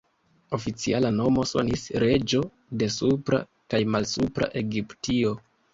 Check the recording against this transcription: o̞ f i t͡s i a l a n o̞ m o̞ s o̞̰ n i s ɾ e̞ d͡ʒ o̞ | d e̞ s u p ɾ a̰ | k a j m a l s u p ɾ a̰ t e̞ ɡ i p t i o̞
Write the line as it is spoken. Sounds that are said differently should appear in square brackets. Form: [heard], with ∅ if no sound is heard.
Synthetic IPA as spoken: o̞ f i t͡s i a l a n o̞ m o̞ s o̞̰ n i s ɾ e̞ d͡ʒ o̞ | d e̞ s u p ɾ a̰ | k a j m a l s u p ɾ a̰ [ʔ] e̞ ɡ i p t i o̞